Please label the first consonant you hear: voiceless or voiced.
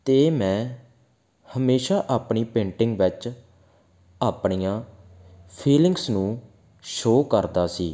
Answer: voiceless